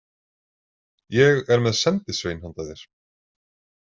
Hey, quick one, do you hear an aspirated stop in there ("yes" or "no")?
no